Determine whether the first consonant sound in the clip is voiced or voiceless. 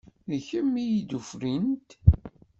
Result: voiced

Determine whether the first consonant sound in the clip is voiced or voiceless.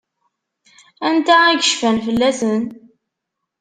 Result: voiced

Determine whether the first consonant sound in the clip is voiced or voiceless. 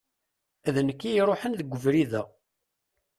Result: voiced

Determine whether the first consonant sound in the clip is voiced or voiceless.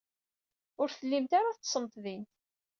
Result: voiced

